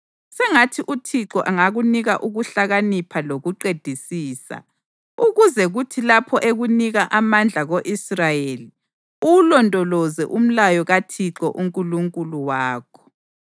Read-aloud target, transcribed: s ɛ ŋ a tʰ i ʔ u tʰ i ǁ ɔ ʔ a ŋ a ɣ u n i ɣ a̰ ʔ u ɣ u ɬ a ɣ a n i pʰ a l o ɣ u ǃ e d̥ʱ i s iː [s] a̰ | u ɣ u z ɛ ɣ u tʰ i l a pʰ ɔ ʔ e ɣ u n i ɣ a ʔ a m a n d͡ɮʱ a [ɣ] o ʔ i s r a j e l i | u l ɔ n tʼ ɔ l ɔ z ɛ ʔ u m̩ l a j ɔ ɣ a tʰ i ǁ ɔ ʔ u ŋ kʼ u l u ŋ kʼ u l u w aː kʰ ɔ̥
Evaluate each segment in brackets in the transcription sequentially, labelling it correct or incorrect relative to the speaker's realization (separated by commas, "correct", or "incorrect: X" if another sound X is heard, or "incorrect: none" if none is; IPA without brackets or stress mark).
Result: correct, correct